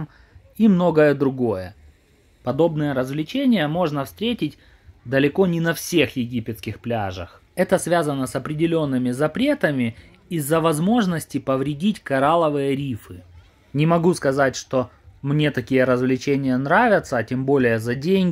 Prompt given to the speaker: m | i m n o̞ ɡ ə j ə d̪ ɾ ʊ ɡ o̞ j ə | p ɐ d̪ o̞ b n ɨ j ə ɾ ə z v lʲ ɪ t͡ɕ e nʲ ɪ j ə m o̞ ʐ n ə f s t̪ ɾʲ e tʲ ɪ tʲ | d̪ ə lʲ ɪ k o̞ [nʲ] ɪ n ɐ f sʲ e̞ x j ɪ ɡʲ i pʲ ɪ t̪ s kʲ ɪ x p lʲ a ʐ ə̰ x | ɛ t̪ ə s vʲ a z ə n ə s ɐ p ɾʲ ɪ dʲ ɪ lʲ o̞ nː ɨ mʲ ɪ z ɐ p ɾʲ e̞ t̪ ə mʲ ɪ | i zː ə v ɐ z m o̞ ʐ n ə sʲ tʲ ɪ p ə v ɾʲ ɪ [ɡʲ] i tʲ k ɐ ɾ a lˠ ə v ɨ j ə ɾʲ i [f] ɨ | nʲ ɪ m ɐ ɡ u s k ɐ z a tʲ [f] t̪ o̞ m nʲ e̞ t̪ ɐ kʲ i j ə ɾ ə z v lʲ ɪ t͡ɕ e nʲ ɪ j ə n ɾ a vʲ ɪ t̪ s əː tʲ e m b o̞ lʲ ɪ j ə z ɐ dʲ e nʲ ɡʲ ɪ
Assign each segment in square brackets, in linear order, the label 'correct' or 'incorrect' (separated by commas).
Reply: correct, incorrect, correct, incorrect